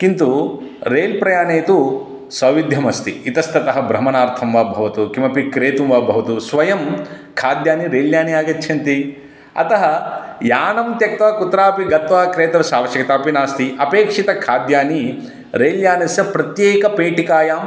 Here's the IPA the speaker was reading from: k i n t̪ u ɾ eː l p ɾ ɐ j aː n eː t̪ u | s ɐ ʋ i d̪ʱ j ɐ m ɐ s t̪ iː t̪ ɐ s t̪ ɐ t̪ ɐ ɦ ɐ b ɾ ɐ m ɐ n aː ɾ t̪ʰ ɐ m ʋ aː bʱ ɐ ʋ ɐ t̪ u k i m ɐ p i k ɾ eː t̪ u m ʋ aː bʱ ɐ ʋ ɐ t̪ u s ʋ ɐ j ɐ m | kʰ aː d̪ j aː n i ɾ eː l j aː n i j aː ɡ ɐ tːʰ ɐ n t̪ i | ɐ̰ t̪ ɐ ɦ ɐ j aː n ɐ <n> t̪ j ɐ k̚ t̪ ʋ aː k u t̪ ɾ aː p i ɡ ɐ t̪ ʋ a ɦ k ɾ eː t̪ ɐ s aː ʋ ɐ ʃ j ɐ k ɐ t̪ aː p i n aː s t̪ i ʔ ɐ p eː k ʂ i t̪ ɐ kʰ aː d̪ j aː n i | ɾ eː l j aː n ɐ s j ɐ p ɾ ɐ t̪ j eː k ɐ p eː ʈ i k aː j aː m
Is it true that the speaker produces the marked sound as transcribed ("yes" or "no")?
no